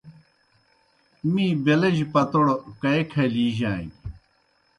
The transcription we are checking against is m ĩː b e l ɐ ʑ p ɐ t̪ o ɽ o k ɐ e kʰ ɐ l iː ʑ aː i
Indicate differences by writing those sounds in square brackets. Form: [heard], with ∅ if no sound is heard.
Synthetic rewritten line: m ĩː b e l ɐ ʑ p ɐ t̪ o ɽ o k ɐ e kʰ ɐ l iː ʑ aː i